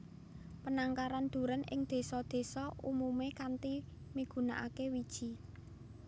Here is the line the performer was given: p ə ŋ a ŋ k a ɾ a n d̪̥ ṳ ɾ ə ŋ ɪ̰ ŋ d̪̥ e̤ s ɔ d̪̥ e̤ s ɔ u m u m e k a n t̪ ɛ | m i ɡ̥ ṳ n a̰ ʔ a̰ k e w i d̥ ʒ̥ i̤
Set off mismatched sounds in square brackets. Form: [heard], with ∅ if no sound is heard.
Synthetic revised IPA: p ə [n] a ŋ k a ɾ a n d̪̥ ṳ ɾ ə [n] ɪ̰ ŋ d̪̥ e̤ s ɔ d̪̥ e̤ s ɔ u m u m e k a n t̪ [i] | m i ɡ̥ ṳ n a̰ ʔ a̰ k e w i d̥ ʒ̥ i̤

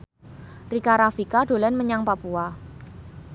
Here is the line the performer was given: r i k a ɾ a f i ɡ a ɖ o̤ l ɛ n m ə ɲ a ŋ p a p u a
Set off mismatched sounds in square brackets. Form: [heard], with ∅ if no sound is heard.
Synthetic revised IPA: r i k a ɾ a f i [k] a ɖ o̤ l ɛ n m ə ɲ a ŋ p a p u a

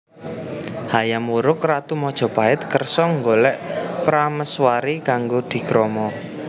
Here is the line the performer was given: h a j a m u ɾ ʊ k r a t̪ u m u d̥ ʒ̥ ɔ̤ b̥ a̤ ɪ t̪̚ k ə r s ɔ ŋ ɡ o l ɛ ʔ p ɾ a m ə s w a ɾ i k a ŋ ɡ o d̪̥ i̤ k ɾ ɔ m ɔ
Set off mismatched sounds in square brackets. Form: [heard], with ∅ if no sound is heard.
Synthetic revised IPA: h a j a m u ɾ ʊ k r a t̪ u m [ɔ] d̥ ʒ̥ ɔ̤ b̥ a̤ ɪ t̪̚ k ə r s ɔ ŋ ɡ o l ɛ ʔ p ɾ a m ə s w a ɾ i k a ŋ ɡ o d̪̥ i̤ k ɾ ɔ m ɔ

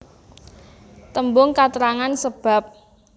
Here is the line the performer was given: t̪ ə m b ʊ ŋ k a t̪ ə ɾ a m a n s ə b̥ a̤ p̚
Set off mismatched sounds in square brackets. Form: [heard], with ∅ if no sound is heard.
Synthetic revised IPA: t̪ ə m b ʊ ŋ k a t̪ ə ɾ a [ŋ] a n s ə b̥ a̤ p̚

